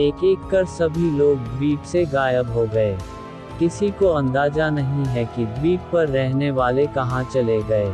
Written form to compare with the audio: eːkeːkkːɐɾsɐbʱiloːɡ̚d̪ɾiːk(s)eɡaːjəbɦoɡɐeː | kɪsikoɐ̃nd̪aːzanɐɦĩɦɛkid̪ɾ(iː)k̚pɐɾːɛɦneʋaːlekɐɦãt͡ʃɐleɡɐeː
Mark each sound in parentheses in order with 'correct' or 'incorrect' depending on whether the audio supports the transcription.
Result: correct, correct

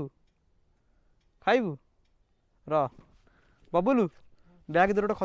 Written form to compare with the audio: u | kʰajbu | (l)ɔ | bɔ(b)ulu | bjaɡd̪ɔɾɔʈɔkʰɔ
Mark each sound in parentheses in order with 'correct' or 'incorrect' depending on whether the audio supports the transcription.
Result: incorrect: ɾ, correct

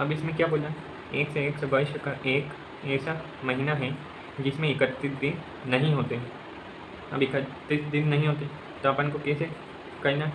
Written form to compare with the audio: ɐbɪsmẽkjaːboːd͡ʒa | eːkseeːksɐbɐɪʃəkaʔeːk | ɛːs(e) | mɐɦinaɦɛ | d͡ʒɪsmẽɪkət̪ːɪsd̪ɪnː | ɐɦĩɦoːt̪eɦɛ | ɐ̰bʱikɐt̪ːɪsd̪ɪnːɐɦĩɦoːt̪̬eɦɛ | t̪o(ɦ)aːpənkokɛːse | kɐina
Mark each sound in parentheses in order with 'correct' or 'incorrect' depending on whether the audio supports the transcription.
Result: incorrect: a, incorrect: none

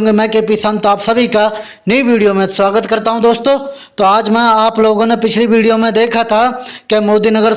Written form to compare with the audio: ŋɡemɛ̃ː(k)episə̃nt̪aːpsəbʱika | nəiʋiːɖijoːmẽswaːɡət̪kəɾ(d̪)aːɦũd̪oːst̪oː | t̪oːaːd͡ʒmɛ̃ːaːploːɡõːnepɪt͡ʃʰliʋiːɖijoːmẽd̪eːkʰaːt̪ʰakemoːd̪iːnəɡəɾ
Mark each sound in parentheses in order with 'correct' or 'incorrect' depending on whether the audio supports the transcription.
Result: correct, incorrect: t̪

